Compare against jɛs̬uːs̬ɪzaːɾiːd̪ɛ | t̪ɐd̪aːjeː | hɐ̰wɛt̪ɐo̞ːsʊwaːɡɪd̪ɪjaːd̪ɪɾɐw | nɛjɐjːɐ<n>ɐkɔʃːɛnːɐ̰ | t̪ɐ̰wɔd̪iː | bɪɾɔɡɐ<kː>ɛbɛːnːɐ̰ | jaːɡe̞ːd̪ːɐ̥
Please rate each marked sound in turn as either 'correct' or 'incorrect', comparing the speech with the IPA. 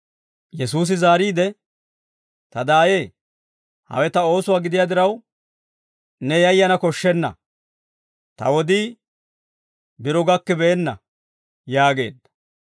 correct, correct

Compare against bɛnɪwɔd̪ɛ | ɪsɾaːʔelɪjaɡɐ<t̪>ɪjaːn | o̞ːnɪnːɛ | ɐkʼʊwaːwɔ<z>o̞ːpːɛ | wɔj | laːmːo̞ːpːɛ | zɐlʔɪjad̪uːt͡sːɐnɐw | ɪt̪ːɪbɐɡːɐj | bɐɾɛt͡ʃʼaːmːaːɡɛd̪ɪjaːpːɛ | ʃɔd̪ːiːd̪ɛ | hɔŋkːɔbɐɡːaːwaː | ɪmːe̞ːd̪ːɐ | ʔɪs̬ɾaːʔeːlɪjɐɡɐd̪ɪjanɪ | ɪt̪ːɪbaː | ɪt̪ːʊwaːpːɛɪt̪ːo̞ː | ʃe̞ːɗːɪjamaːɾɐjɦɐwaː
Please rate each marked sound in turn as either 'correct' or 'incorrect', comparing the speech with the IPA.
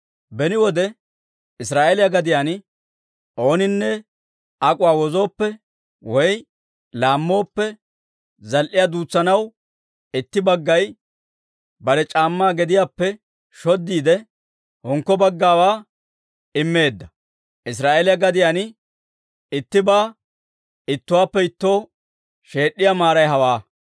incorrect, correct

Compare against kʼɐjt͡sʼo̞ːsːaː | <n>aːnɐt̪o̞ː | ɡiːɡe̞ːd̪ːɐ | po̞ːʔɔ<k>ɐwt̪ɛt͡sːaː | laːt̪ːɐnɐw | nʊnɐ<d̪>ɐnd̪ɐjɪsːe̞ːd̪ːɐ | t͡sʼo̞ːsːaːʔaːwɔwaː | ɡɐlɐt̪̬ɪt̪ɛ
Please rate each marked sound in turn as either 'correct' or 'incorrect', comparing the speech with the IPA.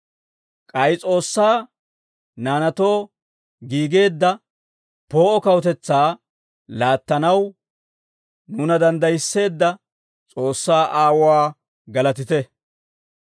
correct, correct, correct

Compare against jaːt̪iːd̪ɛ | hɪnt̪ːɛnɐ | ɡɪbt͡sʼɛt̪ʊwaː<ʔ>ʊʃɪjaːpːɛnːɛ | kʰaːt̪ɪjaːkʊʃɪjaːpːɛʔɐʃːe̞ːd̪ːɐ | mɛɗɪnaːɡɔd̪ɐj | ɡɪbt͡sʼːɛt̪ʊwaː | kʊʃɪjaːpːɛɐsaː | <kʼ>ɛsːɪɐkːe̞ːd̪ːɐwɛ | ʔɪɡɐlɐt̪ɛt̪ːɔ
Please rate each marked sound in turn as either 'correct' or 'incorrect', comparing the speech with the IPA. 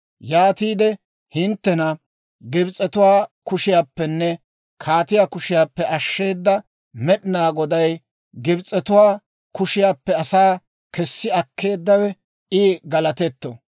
incorrect, incorrect

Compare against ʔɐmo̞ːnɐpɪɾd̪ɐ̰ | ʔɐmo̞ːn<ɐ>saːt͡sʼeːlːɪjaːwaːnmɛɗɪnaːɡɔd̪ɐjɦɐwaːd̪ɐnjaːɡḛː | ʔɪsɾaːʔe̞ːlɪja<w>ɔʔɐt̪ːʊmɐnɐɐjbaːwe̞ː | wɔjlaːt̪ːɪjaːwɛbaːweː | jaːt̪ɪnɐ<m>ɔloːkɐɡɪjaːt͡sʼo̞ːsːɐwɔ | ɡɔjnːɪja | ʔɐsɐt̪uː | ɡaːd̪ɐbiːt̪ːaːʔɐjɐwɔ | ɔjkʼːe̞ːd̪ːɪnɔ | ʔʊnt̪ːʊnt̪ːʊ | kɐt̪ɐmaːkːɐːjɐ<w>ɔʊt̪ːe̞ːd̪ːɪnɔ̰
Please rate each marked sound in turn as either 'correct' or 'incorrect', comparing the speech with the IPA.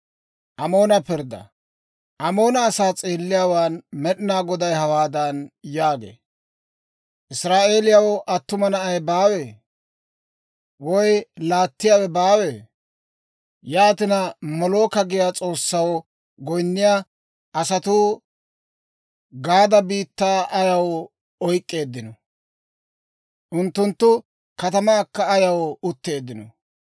incorrect, correct, correct, correct

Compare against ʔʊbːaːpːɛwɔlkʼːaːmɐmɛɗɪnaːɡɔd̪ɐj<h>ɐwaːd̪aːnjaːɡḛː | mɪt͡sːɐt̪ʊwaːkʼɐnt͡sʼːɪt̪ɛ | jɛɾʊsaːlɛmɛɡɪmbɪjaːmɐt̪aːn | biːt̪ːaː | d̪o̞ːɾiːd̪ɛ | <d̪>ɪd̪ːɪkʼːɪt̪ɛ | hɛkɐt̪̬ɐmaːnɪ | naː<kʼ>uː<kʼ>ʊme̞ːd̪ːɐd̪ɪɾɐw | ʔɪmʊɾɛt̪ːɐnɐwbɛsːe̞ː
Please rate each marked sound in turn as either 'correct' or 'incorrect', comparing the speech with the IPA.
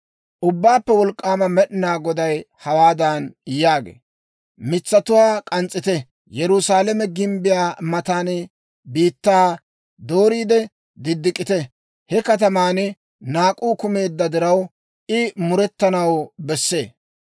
correct, correct, correct, incorrect

